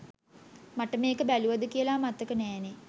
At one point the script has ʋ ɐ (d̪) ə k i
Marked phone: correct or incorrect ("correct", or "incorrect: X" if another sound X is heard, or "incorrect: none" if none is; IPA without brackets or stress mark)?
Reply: correct